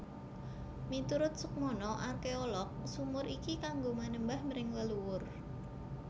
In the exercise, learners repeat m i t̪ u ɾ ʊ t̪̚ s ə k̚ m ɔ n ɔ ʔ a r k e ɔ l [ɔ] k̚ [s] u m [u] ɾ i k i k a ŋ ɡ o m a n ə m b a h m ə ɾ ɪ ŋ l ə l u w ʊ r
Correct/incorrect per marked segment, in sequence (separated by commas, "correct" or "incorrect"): correct, correct, incorrect